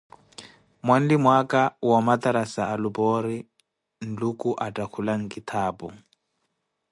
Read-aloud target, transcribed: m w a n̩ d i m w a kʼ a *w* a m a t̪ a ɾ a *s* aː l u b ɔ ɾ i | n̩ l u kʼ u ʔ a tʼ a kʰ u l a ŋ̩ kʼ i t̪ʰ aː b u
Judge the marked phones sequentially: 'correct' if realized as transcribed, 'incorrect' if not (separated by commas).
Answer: correct, correct